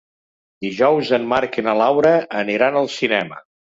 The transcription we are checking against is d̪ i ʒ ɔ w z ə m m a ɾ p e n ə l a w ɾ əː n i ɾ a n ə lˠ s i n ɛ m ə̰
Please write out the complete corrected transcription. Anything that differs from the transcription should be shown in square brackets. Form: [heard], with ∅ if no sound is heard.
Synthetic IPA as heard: d̪ i ʒ ɔ w z ə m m a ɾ [k] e n ə l a w ɾ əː n i ɾ a n ə lˠ s i n ɛ m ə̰